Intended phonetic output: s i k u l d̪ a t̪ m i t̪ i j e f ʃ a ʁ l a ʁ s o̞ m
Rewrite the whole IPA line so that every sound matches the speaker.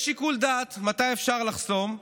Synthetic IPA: ʃ i k u l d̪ a t̪ m a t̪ a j e f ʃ a ʁ l a χ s o̞ m